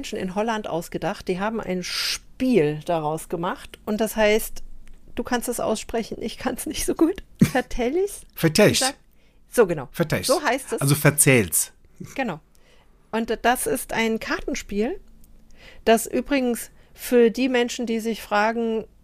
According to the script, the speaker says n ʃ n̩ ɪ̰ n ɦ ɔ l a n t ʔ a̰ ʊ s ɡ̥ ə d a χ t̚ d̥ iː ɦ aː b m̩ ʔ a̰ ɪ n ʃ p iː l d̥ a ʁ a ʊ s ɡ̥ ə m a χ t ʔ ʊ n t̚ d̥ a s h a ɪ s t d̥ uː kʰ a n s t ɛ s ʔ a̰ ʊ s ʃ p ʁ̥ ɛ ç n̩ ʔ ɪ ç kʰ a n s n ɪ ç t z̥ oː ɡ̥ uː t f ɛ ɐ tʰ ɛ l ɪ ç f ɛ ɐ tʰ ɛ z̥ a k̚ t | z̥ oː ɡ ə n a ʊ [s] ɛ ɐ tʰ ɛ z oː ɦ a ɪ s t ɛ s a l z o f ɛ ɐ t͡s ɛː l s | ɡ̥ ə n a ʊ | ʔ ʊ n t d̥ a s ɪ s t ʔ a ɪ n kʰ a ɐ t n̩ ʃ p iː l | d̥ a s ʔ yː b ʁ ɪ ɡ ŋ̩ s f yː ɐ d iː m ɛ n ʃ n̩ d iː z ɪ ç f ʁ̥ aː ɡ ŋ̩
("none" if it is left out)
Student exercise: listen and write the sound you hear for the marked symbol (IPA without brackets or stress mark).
f